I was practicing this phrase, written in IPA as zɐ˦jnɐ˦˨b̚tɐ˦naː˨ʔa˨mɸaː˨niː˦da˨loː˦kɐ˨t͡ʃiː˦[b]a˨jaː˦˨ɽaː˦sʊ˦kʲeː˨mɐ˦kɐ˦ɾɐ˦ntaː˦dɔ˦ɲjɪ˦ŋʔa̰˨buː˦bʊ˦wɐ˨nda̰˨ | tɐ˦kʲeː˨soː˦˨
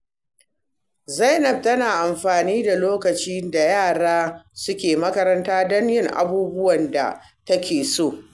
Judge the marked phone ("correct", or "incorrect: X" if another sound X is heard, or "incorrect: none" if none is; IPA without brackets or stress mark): incorrect: d